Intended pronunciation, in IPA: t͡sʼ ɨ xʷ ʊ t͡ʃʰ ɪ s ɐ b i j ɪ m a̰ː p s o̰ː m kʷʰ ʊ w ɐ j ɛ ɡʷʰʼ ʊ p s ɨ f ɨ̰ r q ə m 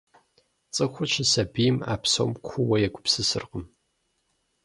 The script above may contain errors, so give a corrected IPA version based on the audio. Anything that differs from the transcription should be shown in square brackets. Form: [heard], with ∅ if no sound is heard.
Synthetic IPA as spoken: t͡sʼ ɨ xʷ ʊ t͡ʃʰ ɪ s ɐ b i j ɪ m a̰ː p s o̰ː m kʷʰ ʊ w ɐ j ɛ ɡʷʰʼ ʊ p s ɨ [s] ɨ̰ r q ə m